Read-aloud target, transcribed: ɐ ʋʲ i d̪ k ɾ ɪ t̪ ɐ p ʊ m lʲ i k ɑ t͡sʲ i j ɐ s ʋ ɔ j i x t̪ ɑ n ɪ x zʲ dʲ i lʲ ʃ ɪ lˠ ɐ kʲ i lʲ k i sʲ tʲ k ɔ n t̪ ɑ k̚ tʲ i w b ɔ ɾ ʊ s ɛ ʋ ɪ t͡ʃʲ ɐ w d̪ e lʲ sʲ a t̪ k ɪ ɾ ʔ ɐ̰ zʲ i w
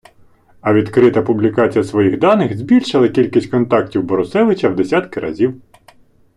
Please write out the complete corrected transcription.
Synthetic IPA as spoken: ɐ ʋʲ i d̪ k ɾ ɪ t̪ ɐ p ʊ b lʲ i k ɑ t͡sʲ i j ɐ s ʋ ɔ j i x d̪ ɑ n ɪ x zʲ bʲ i lʲ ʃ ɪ lˠ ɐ kʲ i lʲ k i sʲ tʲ k ɔ n t̪ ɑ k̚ tʲ i w b ɔ ɾ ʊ s ɛ ʋ ɪ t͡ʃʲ ɐ w d̪ e sʲ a t̪ k ɪ ɾ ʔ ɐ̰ zʲ i w